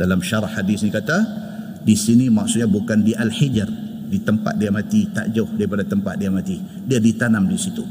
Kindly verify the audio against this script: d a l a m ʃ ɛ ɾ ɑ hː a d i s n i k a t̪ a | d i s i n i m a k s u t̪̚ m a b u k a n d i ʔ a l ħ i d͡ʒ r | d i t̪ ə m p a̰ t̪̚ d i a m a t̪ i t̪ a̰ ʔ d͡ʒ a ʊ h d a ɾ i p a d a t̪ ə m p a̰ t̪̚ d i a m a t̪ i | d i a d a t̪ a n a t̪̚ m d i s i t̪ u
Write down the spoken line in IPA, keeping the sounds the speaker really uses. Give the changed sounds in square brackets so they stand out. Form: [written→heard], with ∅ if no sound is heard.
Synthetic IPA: d a l a m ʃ [ɛ→a] ɾ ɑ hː a d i s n i k a t̪ a | d i s i n i m a k s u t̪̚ [m→ɲ] a b u k a n d i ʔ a l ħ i d͡ʒ r | d i t̪ ə m p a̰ t̪̚ d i a m a t̪ i t̪ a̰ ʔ d͡ʒ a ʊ h d a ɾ i p a d a t̪ ə m p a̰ t̪̚ d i a m a t̪ i | d i a d [a→i] t̪ a n a [t̪̚→∅] m d i s i t̪ u